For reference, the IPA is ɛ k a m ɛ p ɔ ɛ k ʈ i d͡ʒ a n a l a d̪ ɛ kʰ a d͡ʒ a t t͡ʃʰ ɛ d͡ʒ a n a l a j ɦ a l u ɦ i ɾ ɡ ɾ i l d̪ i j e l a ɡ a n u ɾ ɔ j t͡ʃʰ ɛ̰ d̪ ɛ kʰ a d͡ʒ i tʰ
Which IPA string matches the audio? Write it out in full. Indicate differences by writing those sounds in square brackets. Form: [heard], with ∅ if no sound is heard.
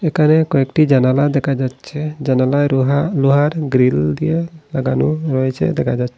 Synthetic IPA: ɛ k a [n] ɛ [k] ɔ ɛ k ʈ i d͡ʒ a n a l a d̪ ɛ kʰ a d͡ʒ a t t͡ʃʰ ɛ d͡ʒ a n a l a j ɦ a l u ɦ [a] ɾ ɡ ɾ i l d̪ i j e l a ɡ a n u ɾ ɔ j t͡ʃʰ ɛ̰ d̪ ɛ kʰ a d͡ʒ [a] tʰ